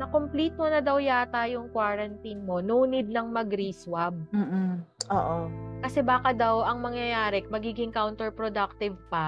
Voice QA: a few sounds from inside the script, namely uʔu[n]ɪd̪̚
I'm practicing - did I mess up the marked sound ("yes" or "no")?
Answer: no